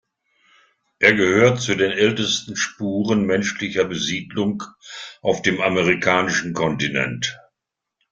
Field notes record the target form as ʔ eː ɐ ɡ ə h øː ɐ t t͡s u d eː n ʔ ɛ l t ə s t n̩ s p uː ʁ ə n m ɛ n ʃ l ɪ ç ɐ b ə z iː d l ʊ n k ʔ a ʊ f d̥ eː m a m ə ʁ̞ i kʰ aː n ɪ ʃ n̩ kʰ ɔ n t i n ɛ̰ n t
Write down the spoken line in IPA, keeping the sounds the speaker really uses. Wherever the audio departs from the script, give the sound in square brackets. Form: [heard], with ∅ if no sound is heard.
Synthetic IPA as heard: ʔ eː ɐ ɡ ə h øː ɐ t t͡s u d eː n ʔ ɛ l t ə s t n̩ [ʃ] p uː ʁ ə n m ɛ n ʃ l ɪ ç ɐ b ə z iː d l ʊ [ŋ] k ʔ a ʊ f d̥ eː m a m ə ʁ̞ i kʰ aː n ɪ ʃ n̩ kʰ ɔ n t i n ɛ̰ n t